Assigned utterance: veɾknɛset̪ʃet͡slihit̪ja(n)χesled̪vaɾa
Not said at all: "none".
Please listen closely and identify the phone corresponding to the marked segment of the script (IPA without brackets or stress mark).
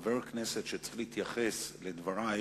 none